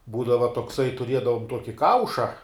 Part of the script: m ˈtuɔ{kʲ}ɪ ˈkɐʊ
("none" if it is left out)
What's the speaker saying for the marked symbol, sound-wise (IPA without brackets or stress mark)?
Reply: kʲ